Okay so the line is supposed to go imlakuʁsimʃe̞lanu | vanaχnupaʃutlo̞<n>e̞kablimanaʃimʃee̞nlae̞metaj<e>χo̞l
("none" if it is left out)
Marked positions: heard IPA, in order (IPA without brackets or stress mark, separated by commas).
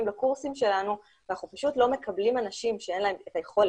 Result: m, e